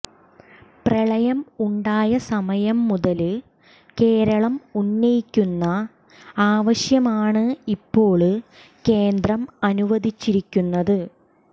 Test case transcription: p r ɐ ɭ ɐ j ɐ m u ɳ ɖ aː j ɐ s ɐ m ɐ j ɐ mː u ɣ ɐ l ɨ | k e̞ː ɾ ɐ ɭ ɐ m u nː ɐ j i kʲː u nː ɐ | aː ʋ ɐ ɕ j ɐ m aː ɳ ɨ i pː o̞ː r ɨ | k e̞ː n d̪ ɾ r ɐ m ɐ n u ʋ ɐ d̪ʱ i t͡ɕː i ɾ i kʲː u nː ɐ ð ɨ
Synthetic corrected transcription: p r ɐ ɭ ɐ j ɐ m u ɳ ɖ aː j ɐ s ɐ m ɐ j ɐ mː u ð ɐ l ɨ | k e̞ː ɾ ɐ ɭ ɐ m u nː ɐ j i kʲː u nː ɐ | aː ʋ ɐ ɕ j ɐ m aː ɳ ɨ i pː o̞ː ɭ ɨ | k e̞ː n d̪ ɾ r ɐ m ɐ n u ʋ ɐ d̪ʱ i t͡ɕː i ɾ i kʲː u nː ɐ ð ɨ

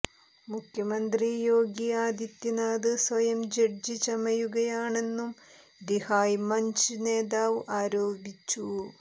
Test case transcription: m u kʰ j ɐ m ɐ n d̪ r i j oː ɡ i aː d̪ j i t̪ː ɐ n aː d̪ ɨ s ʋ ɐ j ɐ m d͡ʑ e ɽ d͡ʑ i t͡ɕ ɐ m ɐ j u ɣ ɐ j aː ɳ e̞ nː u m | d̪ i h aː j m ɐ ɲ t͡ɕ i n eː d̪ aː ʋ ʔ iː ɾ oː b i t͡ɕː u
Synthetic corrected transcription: m u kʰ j ɐ m ɐ n d̪ r i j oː ɡ i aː d̪ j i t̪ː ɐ n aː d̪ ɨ s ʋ ɐ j ɐ m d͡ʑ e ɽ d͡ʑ i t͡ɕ ɐ m ɐ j u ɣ ɐ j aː ɳ e̞ nː u m | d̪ i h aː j m ɐ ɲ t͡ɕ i n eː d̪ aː ʋ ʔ aː ɾ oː b i t͡ɕː u

